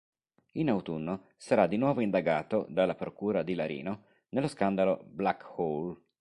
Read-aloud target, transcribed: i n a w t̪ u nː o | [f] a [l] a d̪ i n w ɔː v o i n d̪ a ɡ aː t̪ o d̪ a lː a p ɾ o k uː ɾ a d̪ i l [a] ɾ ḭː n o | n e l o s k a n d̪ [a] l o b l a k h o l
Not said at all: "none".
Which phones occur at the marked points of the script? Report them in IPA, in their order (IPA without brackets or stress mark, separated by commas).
s, ɾ, a, a